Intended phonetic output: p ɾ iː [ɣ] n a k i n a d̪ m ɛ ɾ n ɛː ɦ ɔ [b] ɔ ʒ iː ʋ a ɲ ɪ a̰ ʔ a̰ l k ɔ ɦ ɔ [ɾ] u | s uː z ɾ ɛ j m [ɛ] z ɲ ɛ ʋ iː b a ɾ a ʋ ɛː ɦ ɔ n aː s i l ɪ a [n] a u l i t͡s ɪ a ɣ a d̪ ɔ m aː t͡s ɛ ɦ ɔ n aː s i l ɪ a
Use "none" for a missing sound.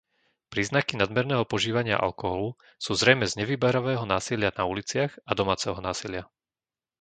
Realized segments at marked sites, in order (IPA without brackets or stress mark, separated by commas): z, p, l, ɛ, n